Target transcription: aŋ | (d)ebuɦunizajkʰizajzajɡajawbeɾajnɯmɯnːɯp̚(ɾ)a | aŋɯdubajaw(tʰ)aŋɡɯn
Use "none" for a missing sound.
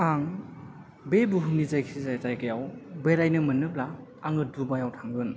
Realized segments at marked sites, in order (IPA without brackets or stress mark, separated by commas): b, l, tʰ